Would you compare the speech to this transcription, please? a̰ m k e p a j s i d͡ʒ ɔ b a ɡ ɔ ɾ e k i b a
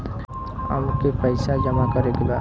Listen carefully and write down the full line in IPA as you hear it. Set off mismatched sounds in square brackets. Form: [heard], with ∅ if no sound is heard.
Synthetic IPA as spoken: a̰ m k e p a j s [a] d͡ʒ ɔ [m] a [k] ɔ ɾ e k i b a